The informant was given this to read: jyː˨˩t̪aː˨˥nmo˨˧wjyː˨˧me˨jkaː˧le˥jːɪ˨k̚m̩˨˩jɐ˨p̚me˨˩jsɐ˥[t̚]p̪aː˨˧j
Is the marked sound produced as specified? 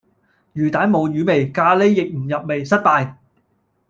yes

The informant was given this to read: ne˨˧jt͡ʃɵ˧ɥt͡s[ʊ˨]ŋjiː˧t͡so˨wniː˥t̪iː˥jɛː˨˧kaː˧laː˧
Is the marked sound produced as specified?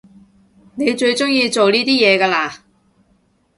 no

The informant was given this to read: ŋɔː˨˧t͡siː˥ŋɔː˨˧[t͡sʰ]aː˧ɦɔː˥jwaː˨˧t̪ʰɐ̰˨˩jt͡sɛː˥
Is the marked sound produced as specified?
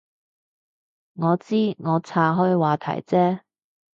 yes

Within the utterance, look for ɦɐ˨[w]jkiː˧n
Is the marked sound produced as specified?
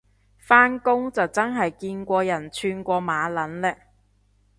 no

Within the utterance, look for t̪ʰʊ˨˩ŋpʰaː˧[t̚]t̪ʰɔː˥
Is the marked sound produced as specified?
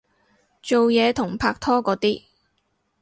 no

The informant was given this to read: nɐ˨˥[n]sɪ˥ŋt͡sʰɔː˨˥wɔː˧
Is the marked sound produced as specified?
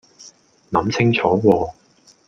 no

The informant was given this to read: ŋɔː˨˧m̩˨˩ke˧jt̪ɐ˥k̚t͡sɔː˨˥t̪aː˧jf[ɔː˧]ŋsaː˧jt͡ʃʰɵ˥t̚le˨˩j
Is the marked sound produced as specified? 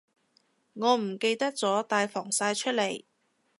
no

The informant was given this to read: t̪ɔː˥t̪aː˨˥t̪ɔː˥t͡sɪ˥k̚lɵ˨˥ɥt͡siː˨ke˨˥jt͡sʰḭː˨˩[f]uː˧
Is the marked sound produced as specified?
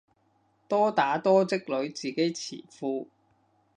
yes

